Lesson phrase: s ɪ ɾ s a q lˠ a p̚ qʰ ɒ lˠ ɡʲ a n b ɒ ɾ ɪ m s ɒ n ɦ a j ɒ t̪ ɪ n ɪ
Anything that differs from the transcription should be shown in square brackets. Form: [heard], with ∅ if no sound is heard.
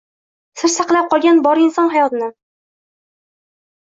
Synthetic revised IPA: s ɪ ɾ s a q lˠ a p̚ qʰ ɒ lˠ ɡʲ a n b ɒ ɾ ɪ [n] s ɒ n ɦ a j ɒ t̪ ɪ n ɪ